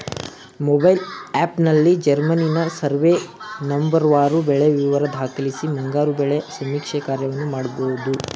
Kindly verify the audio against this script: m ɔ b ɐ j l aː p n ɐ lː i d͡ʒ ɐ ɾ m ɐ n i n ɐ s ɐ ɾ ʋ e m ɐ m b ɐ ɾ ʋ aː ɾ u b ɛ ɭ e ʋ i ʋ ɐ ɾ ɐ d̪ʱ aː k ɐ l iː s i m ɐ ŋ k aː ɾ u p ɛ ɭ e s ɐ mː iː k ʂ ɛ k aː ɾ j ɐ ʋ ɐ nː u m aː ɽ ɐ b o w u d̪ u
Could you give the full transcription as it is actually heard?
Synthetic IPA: m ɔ b ɐ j l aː p n ɐ lː i d͡ʒ ɐ ɾ m ɐ n i n ɐ s ɐ ɾ ʋ e n ɐ m b ɐ ɾ ʋ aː ɾ u b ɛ ɭ e ʋ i ʋ ɐ ɾ ɐ d̪ʱ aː k ɐ l i s i m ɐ ŋ ɡ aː ɾ u b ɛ ɭ e s ɐ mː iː k ʂ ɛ k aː ɾ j ɐ ʋ ɐ nː u m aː ɽ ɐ b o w u d̪ u